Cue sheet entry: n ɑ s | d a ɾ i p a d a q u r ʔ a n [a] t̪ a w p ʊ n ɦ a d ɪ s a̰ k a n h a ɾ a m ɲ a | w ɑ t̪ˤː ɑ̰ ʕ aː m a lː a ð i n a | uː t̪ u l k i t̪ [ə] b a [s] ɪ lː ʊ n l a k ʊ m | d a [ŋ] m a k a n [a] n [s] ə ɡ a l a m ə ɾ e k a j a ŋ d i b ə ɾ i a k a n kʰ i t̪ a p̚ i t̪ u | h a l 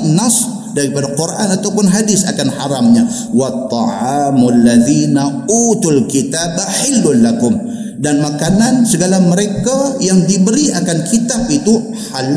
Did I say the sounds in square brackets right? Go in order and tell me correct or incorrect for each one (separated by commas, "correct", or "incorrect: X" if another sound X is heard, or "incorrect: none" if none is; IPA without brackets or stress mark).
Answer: correct, incorrect: a, incorrect: ħ, incorrect: n, correct, correct